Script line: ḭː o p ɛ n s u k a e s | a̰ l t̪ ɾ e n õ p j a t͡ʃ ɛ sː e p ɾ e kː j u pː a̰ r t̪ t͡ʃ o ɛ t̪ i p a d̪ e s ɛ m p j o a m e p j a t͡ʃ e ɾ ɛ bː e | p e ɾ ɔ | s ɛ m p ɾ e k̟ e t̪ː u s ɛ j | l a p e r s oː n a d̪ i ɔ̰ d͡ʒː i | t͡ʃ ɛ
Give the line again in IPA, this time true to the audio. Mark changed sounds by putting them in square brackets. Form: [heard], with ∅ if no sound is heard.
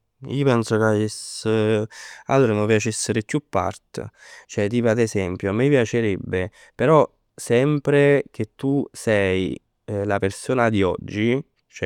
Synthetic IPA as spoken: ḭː o p ɛ n s [o] k a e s | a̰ l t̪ ɾ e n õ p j a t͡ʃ ɛ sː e [∅] ɾ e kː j u pː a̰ r t̪ t͡ʃ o ɛ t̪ i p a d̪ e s ɛ m p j o a m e p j a t͡ʃ e ɾ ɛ bː e | p e ɾ ɔ | s ɛ m p ɾ e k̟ e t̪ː u s ɛ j | l a p e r s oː n a d̪ i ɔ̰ d͡ʒː i | t͡ʃ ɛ